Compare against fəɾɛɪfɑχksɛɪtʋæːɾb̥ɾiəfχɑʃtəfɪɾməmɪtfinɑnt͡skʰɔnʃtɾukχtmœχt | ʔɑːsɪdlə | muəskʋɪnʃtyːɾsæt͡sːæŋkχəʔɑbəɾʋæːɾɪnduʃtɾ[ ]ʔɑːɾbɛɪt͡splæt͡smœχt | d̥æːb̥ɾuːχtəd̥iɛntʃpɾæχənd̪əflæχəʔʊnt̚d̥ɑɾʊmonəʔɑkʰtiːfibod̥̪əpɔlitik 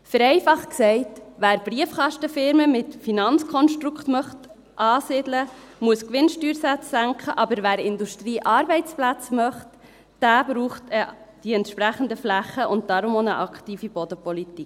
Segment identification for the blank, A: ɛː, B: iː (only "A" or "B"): B